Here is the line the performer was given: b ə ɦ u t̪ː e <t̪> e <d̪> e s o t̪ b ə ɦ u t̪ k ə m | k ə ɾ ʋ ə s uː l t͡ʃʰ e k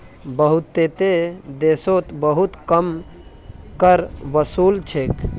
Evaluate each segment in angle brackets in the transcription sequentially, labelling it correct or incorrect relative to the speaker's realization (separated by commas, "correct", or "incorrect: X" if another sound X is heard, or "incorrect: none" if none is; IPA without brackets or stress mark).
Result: correct, correct